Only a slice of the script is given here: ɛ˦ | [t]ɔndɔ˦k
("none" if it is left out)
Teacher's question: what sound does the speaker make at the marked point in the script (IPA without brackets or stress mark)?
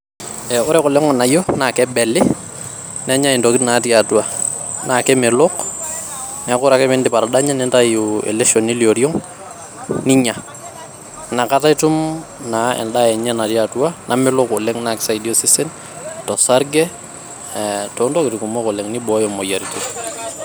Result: t